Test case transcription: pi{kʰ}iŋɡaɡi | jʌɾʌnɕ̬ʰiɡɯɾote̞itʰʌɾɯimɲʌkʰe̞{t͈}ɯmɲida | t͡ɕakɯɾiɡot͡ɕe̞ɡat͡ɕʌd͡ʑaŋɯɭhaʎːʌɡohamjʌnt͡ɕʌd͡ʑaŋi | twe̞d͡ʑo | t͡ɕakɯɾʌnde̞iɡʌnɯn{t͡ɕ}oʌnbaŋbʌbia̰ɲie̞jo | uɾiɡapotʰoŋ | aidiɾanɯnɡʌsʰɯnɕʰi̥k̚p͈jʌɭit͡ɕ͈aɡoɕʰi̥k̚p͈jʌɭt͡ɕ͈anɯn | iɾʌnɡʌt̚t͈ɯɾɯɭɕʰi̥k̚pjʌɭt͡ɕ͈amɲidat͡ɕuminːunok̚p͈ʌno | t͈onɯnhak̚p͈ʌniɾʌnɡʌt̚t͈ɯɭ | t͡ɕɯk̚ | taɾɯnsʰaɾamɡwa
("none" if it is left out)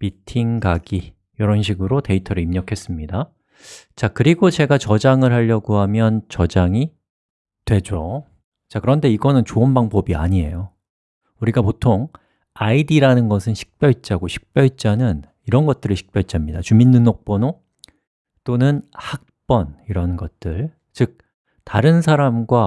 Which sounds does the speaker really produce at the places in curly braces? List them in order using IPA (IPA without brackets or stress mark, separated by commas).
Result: tʰ, s͈, t͡ɕ